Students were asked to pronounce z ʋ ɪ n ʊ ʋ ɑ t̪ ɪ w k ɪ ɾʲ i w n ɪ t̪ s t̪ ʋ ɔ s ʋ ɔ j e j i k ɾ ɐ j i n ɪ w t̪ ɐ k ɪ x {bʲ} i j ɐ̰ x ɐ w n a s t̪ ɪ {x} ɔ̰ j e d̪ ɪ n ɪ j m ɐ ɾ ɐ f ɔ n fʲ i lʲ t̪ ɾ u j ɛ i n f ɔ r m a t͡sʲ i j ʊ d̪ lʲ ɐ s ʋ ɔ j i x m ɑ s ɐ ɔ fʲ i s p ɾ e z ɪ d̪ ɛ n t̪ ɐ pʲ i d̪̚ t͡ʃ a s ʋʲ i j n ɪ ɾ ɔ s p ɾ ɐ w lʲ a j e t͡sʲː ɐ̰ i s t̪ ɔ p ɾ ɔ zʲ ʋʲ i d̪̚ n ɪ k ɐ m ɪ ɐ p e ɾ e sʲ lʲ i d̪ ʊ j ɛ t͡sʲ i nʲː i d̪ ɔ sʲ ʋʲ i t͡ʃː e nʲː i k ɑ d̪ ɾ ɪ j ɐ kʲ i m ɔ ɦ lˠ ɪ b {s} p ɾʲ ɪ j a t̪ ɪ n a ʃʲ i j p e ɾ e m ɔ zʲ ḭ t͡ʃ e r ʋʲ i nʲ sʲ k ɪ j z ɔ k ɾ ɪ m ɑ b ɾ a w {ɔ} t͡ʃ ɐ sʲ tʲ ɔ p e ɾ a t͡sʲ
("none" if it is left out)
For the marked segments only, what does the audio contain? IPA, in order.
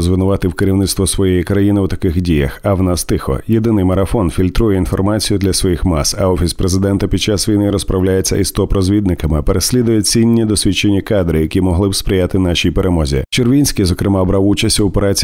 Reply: dʲ, x, s, u

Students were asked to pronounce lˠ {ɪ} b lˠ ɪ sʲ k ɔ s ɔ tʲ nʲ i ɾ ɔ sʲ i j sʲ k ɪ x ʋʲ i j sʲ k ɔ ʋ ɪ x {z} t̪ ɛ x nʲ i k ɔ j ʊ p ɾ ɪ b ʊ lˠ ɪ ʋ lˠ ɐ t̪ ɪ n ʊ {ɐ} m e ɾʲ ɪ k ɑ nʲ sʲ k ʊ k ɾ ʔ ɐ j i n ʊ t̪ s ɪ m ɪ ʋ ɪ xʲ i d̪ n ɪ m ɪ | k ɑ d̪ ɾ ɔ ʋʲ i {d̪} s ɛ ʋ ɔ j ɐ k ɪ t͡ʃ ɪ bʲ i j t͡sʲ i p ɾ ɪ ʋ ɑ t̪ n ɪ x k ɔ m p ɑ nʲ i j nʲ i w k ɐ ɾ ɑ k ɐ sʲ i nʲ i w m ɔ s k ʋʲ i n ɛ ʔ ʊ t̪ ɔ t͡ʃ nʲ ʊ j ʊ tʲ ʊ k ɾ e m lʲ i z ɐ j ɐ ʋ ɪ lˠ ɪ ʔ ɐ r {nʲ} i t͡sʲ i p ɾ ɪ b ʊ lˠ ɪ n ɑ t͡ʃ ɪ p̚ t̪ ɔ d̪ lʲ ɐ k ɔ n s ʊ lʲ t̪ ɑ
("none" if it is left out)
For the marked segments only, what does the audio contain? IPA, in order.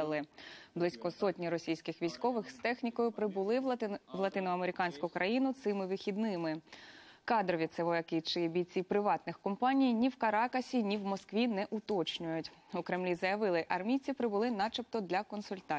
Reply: ɪ, s, ɐ, t̪, mʲ

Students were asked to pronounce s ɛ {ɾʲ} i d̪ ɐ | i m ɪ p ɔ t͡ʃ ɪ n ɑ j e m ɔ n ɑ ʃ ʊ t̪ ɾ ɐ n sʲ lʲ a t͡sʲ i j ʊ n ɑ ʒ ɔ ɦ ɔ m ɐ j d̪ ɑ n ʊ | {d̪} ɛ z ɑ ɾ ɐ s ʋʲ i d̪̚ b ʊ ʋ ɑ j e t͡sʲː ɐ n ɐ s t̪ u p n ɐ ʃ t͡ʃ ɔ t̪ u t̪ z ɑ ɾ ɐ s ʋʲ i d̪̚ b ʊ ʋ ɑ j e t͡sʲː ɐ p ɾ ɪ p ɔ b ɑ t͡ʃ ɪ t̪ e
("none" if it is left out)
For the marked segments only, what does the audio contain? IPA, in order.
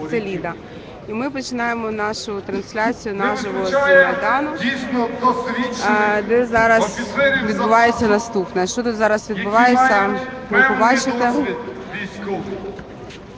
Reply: lʲ, d̪

